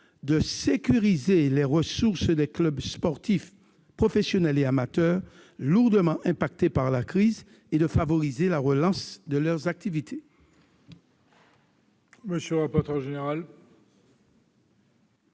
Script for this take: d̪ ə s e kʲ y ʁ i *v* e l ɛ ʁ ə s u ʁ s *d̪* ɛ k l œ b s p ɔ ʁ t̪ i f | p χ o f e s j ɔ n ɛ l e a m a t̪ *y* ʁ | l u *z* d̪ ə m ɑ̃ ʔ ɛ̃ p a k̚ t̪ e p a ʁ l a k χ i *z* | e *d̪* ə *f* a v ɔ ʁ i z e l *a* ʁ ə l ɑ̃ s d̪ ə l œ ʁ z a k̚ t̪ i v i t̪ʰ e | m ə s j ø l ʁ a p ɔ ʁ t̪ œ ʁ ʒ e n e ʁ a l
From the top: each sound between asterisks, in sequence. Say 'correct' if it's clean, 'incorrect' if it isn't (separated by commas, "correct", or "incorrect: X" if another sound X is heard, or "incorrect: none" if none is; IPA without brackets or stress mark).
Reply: incorrect: z, correct, incorrect: œ, incorrect: ʁ, correct, correct, correct, correct